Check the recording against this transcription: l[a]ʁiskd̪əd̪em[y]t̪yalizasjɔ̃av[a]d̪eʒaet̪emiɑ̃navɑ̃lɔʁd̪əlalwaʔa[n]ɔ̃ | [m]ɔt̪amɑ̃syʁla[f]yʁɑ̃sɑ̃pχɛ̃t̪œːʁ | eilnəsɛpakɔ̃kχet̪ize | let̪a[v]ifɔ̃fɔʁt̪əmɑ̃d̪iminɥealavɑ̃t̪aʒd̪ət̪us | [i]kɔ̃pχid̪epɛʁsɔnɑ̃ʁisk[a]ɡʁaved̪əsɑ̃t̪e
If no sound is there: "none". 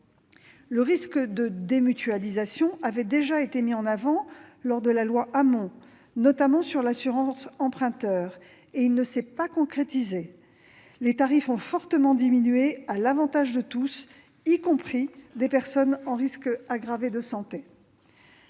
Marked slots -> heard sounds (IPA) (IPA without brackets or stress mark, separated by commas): ə, y, ɛ, m, n, s, ʁ, i, a